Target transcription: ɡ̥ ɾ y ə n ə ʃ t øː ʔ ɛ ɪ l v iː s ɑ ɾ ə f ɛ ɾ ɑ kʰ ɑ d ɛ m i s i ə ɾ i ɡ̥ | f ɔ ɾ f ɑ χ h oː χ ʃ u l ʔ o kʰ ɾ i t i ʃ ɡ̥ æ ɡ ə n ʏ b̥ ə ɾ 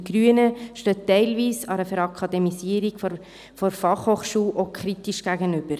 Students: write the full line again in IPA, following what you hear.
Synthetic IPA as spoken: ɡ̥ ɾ y ə n ə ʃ t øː t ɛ ɪ l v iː s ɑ ɾ ə f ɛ ɾ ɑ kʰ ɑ d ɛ m i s i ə ɾ i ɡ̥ | f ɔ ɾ f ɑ χ h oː χ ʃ uː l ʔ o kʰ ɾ i t i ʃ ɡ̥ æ ɡ ə n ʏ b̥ ə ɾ